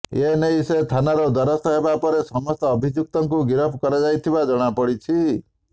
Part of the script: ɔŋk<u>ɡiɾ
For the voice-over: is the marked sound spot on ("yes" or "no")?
yes